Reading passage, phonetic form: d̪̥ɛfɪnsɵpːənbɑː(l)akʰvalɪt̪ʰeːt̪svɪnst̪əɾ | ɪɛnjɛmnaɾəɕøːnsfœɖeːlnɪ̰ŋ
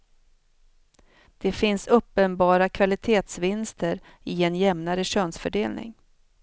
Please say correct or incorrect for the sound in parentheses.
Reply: incorrect